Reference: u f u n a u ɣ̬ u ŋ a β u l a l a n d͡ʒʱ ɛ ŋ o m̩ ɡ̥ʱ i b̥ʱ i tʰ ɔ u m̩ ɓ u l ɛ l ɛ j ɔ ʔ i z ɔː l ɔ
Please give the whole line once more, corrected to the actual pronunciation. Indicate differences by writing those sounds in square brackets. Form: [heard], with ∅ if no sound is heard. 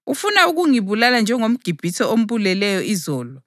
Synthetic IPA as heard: u f u n a u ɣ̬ u ŋ [i] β u l a l a n d͡ʒʱ ɛ ŋ o m̩ ɡ̥ʱ i b̥ʱ i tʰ ɔ [o] m̩ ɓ u l ɛ l ɛ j ɔ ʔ i z ɔː l ɔ

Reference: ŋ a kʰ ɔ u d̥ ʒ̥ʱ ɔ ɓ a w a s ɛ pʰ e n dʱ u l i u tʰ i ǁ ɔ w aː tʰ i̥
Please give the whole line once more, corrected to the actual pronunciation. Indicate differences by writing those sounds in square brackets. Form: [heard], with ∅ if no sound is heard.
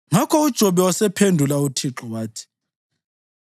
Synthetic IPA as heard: ŋ a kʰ ɔ u d̥ ʒ̥ʱ ɔ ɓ [ɛ] w a s ɛ pʰ e n dʱ u l [a] u tʰ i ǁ ɔ w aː tʰ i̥

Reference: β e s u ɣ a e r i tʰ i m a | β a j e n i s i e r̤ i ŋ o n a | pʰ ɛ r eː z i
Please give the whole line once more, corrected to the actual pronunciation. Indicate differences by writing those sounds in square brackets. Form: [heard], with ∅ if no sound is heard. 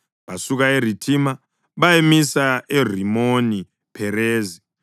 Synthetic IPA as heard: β [a] s u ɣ a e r i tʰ i m a | β a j e [m] i s [a] e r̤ i [m] o n [i] | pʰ ɛ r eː z i

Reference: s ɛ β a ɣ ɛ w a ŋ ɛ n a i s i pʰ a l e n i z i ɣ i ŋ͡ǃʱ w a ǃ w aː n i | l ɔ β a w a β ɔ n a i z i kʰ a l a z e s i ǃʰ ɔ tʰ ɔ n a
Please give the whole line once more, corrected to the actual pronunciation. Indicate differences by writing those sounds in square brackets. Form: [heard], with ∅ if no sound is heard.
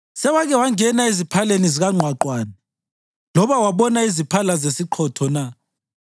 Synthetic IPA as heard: s ɛ [w] a ɣ ɛ w a ŋ ɛ n a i [z] i pʰ a l e n i z i ɣ [a] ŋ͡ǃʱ w a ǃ w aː n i | l ɔ β a w a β ɔ n a i z i [pʰ] a l a z e s i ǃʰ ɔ tʰ ɔ n a

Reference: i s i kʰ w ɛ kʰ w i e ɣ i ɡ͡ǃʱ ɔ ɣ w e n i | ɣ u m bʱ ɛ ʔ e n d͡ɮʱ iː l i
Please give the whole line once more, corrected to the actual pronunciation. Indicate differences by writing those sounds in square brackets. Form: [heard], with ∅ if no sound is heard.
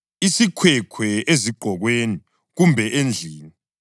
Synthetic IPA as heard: i s i kʰ w ɛ kʰ w [ɛ] e [z] i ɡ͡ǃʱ ɔ ɣ w e n i | ɣ u m bʱ ɛ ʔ e n d͡ɮʱ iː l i

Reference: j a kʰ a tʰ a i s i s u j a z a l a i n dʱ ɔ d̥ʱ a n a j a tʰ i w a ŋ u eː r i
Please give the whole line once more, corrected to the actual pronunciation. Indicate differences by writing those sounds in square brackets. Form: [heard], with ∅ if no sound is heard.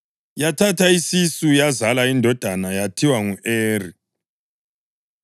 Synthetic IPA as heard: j a [tʰ] a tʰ a i s i s u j a z a l a i n dʱ ɔ d̥ʱ a n a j a tʰ i w a ŋ u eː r i

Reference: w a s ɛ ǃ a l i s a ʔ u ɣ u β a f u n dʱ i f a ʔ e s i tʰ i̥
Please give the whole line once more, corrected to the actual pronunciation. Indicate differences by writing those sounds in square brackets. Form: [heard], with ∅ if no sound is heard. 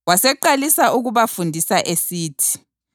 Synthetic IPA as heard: w a s ɛ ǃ a l i s a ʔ u ɣ u β a f u n dʱ i [s] a ʔ e s [iː] tʰ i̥

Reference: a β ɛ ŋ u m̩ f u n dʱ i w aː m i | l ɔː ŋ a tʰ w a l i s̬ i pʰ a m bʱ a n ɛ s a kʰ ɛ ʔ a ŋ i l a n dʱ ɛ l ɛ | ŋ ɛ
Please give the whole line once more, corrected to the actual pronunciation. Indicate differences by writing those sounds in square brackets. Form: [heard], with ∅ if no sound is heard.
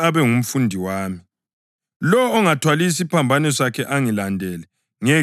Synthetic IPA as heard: a β ɛ ŋ u m̩ f u n dʱ i w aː m i | l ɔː ŋ a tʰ w a l i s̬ i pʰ a m bʱ a n ɛ s a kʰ ɛ ʔ a ŋ i l a n dʱ ɛ l ɛ | ŋ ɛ

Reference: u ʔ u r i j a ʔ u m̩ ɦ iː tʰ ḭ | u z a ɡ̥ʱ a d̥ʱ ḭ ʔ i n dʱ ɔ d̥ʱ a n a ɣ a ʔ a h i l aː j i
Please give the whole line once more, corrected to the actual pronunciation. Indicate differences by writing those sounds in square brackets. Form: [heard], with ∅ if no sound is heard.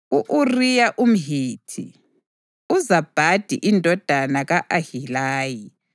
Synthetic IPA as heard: u ʔ u r i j a ʔ u m̩ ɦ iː tʰ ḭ | u z a [b̥ʱ] a d̥ʱ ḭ ʔ i n dʱ ɔ d̥ʱ a n a ɣ a ʔ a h i l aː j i

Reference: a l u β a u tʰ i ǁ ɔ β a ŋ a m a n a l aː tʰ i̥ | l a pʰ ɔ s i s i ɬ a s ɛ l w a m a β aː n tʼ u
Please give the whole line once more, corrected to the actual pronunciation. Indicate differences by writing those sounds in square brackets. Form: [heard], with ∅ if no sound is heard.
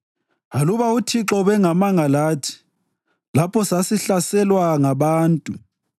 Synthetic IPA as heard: a l u β a u tʰ i ǁ ɔ β [ɛ] ŋ a m a [ŋ] a l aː tʰ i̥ | l a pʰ ɔ s [a] s i ɬ a s ɛ l w a [ŋ] a β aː n tʼ u

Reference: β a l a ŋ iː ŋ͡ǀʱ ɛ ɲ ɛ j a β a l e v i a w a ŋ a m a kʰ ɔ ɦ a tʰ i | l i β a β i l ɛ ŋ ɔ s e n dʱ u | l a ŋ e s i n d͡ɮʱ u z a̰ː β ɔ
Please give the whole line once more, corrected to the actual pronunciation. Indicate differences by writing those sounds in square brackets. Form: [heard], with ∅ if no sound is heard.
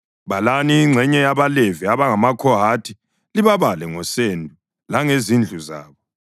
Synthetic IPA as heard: β a l a [n] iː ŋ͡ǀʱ ɛ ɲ ɛ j a β a l e v i a [β] a ŋ a m a kʰ ɔ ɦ a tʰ i | l i β a β [a] l ɛ ŋ ɔ s e n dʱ u | l a ŋ e [z] i n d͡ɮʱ u z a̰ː β ɔ

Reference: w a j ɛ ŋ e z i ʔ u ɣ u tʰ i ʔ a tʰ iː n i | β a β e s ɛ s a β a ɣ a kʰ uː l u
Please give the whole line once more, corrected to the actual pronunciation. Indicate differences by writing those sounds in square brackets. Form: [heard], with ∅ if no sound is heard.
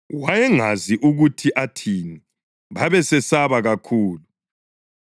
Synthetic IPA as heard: w a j ɛ ŋ [a] z i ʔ u ɣ u tʰ i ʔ a tʰ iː n i | β a β [ɛ] s ɛ s a β a ɣ a kʰ uː l u

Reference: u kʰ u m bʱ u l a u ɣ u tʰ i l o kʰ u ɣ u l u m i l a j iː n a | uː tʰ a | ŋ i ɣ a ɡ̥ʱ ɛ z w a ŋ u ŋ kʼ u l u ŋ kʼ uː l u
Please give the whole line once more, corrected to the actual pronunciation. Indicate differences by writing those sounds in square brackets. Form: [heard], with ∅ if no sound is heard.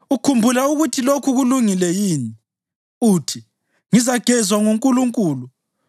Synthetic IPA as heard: u kʰ u m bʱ u l a u ɣ u tʰ i l o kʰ u ɣ u l u [ŋ] i l [ɛ] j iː n [i] | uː tʰ [i] | ŋ i [z] a ɡ̥ʱ ɛ z w a ŋ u ŋ kʼ u l u ŋ kʼ uː l u

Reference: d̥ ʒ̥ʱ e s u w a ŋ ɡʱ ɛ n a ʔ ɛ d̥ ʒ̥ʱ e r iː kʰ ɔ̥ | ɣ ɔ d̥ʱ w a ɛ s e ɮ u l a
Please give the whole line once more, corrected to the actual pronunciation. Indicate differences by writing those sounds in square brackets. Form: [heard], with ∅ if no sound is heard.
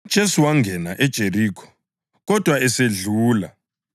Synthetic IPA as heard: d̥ ʒ̥ʱ e s u w a ŋ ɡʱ ɛ n a ʔ ɛ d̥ ʒ̥ʱ e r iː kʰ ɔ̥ | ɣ ɔ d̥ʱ w a ɛ s e ɮ [uː] l a

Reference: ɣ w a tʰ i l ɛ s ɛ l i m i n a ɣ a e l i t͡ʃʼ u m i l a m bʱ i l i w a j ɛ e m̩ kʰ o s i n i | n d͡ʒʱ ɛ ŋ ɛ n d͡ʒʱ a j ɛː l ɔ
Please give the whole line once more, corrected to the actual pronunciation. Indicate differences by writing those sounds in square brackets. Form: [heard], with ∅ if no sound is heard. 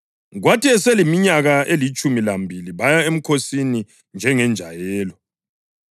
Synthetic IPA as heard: ɣ w a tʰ i [∅] ɛ s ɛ l i m i [ɲ] a ɣ a e l i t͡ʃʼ u m i l a m bʱ i l i [β] a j [a] e m̩ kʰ o s i n i | n d͡ʒʱ ɛ ŋ ɛ n d͡ʒʱ a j ɛː l ɔ

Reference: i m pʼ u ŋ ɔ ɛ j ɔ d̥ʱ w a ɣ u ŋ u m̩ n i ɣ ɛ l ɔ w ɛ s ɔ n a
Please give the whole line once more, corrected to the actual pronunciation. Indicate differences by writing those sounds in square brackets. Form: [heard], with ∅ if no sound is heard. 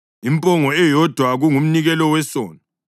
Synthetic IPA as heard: i m pʼ [ɔ] ŋ ɔ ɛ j ɔ d̥ʱ w a ɣ u ŋ u m̩ n i ɣ ɛ l ɔ w ɛ s [ɔː] n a

